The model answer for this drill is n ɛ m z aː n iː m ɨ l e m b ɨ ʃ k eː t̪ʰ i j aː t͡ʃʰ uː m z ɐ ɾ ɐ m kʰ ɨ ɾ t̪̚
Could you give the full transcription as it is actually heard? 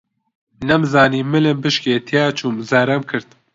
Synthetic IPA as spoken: n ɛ m z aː n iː m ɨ l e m b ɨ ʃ k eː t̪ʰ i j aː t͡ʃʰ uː m z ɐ ɾ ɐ m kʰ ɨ ɾ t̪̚